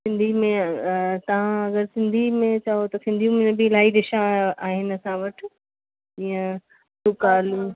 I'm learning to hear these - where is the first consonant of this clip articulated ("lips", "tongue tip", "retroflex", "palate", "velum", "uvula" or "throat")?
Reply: tongue tip